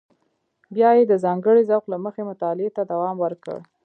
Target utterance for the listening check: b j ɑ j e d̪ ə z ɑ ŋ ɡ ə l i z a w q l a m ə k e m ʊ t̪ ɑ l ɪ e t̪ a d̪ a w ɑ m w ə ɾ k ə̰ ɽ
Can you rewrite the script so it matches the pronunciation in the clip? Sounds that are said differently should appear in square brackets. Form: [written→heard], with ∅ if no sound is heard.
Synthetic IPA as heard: b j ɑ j e d̪ ə z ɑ ŋ ɡ ə [l→ɽ] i z a w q l a m ə [k→x] e m ʊ t̪ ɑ l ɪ e t̪ a d̪ a w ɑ m w ə ɾ k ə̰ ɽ

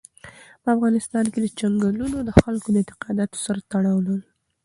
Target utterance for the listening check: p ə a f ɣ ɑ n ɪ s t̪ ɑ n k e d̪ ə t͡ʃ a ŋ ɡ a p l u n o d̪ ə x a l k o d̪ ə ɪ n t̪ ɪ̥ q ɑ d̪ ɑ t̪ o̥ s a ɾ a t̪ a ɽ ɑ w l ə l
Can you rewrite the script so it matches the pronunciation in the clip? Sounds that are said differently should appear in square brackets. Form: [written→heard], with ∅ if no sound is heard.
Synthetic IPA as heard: p ə a f ɣ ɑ n ɪ s t̪ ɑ n k e d̪ ə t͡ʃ a ŋ ɡ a [p→∅] l u n o d̪ ə x a l k o d̪ ə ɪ n t̪ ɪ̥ q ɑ d̪ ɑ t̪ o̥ s a ɾ a t̪ a ɽ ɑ w l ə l

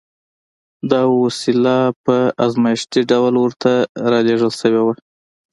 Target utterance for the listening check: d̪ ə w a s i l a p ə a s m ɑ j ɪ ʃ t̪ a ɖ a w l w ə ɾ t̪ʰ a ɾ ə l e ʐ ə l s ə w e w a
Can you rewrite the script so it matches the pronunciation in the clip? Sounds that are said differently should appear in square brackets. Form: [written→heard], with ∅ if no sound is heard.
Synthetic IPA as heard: d̪ [ə→ɑ] w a s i l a p ə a [s→z] m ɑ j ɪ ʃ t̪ [a→i] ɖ a w l w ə ɾ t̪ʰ a ɾ [ə→ɑ] l e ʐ ə l s ə w e w a

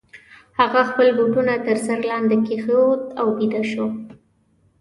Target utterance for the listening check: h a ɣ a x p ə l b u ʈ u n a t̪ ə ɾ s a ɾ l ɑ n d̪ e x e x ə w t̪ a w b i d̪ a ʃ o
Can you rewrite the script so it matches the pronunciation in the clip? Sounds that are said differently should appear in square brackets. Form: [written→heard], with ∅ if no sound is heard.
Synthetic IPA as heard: h a ɣ a x p ə l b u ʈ u n a t̪ ə ɾ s a ɾ l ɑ n d̪ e [x→k] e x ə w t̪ a w b i d̪ a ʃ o

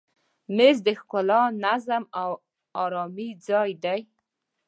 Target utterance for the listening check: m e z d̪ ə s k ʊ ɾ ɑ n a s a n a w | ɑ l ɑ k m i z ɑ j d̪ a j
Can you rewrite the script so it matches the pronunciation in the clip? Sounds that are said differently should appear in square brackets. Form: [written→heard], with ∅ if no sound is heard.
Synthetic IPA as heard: m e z d̪ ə [s→x] k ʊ [ɾ→l] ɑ n a [s→z] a [n→m] a w | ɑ [l→ɾ] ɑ [k→∅] m i [z→d͡z] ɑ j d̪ a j

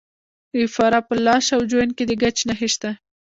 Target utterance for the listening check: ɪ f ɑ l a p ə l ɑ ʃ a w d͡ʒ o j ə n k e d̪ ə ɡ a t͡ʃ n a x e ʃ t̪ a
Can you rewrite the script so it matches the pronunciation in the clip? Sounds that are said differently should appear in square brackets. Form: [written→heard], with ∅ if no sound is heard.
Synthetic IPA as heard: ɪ f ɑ [l→ɾ] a p ə l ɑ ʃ a w d͡ʒ o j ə n k e d̪ ə ɡ a t͡ʃ n a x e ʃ t̪ a

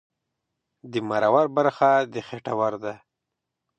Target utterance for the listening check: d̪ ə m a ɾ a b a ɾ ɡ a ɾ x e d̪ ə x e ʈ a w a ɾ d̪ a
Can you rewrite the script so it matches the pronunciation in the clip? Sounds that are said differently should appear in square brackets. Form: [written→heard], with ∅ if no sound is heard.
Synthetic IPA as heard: d̪ ə m a ɾ a [b→w] a ɾ [ɡ→b] a ɾ x [e→a] d̪ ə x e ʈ a w a ɾ d̪ a

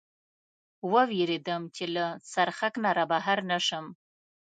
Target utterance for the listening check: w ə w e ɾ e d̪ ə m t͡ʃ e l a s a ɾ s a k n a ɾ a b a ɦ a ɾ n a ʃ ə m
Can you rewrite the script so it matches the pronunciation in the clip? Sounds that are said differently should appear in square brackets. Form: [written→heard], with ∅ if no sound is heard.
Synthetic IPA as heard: w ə w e ɾ e d̪ ə m t͡ʃ e l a s a ɾ [s→x] a k n a ɾ a b a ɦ a ɾ n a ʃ ə m

